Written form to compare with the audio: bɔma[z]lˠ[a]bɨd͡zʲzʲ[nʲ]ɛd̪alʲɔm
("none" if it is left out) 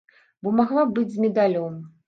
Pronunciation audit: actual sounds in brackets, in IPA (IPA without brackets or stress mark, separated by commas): ɣ, a, mʲ